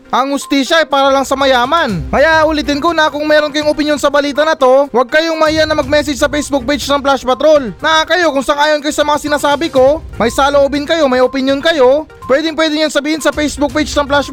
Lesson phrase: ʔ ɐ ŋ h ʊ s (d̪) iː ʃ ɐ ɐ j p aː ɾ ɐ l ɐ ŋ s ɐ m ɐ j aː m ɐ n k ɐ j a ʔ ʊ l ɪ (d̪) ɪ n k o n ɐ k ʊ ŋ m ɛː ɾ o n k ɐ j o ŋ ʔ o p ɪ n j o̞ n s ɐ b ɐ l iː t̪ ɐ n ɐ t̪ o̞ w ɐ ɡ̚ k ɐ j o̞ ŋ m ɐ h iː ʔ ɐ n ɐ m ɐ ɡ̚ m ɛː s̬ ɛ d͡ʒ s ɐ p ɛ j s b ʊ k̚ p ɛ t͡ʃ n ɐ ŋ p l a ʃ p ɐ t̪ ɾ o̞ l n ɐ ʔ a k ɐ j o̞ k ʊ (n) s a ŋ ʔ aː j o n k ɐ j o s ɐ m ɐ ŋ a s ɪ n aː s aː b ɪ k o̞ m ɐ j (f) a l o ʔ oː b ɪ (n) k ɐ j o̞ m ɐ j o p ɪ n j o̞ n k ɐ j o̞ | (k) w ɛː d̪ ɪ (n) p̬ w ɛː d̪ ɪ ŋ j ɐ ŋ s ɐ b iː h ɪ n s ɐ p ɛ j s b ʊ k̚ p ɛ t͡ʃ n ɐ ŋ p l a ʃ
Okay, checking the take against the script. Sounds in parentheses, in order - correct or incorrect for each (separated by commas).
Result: incorrect, incorrect, incorrect, incorrect, correct, incorrect, incorrect